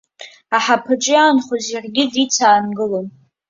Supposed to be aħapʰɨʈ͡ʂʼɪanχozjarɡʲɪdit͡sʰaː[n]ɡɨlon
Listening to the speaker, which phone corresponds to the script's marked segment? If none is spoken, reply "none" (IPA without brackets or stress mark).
n